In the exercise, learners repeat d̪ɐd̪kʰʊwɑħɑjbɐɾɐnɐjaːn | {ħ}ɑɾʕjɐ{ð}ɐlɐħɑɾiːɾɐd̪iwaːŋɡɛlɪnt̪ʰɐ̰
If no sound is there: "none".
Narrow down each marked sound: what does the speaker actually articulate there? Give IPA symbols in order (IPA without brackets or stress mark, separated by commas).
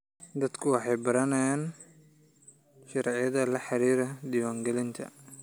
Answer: ʃ, ð